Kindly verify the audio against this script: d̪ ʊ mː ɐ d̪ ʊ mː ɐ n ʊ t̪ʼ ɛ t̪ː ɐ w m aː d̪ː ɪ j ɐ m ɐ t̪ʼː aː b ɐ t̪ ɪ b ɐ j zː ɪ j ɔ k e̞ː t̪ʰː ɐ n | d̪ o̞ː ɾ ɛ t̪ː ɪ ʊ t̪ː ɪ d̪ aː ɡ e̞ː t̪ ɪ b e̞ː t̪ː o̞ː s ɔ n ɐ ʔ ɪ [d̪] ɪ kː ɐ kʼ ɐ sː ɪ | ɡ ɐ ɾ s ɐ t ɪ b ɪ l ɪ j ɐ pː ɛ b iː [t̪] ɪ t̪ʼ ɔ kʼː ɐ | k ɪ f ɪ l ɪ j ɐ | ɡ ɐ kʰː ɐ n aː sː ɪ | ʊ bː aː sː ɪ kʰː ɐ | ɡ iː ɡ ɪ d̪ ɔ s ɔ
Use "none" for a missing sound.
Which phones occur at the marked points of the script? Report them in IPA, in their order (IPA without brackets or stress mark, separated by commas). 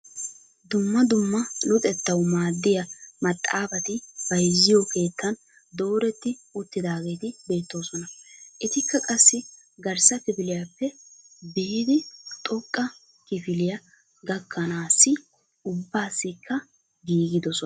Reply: t̪, d̪